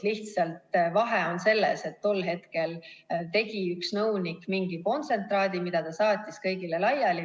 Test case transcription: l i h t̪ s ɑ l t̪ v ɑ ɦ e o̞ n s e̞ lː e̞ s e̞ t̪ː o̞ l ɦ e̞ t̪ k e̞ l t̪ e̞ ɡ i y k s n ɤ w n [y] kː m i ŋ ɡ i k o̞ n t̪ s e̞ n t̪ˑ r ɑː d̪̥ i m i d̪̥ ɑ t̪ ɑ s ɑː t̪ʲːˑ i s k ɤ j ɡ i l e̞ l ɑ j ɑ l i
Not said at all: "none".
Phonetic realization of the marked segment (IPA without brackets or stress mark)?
i